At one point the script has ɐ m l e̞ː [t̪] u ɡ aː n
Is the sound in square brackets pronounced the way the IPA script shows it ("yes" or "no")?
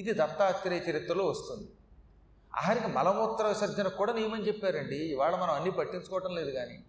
no